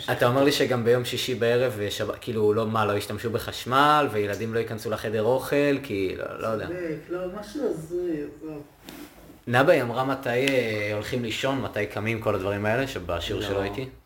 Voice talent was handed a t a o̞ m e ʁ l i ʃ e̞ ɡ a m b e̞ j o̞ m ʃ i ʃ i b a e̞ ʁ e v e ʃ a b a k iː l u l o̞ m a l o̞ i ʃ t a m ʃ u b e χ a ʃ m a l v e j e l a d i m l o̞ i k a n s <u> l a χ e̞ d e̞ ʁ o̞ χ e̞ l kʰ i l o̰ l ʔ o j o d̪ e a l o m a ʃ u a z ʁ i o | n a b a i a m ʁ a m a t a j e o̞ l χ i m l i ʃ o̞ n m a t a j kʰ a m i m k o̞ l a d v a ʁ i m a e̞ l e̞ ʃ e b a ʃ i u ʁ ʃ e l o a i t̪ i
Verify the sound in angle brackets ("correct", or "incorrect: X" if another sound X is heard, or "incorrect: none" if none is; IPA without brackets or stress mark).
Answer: correct